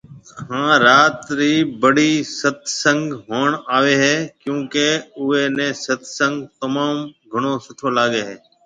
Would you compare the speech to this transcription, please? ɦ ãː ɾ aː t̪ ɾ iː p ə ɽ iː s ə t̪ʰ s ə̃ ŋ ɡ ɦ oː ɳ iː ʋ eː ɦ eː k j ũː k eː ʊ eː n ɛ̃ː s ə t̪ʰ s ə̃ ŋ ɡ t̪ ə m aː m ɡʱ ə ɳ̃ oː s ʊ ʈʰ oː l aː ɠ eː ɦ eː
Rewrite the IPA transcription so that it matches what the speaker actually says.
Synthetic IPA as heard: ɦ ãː ɾ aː t̪ ɾ iː b ə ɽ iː s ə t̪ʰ s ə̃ ŋ ɡ ɦ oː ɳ aː ʋ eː ɦ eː k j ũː k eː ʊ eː n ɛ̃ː s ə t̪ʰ s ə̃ ŋ ɡ t̪ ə m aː m ɡʱ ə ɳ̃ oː s ʊ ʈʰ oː l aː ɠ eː ɦ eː